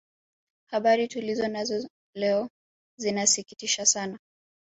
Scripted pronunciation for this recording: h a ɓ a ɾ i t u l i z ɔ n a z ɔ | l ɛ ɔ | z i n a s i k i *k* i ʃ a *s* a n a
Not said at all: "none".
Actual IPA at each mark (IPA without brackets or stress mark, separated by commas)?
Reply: t, s